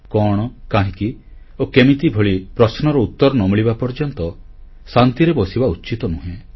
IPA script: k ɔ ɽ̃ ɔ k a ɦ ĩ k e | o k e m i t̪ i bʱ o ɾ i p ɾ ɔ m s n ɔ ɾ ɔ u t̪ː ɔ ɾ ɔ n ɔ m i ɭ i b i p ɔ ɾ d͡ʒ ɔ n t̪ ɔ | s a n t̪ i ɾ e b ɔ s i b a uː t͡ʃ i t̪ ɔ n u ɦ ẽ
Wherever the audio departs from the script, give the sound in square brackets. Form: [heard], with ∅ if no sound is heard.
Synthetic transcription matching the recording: k ɔ ɽ̃ ɔ k a ɦ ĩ k [i] | o k e m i t̪ i bʱ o [ɭ] i p ɾ ɔ [∅] s n ɔ ɾ ɔ u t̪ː ɔ ɾ ɔ n ɔ m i ɭ i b [a] p ɔ ɾ d͡ʒ ɔ n t̪ ɔ | s a n t̪ i ɾ e b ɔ s i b a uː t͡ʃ i t̪ ɔ n u ɦ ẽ